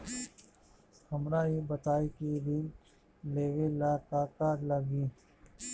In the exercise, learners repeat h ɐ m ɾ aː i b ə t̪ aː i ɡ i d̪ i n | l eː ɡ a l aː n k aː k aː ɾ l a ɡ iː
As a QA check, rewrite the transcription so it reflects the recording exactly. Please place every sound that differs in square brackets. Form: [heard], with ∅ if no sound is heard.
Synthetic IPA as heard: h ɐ m ɾ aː i b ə t̪ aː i [k] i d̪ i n | l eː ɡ [e] l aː [∅] k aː k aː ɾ l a ɡ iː